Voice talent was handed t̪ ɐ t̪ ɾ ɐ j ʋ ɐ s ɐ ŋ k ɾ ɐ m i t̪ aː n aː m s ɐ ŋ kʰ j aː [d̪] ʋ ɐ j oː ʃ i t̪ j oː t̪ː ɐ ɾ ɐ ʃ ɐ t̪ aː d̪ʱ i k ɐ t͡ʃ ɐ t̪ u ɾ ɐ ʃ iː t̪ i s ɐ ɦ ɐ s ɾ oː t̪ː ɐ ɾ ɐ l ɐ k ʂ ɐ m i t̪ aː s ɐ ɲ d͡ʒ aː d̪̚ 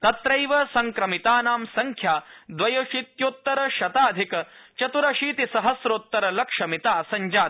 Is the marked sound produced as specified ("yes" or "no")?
yes